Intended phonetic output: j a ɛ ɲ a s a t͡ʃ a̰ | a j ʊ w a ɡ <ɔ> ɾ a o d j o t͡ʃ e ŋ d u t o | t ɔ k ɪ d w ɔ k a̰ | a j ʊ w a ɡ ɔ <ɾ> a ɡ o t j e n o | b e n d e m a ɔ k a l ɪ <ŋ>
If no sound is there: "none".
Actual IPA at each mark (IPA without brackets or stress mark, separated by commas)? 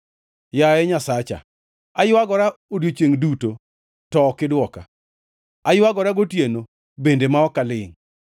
ɔ, ɾ, ŋ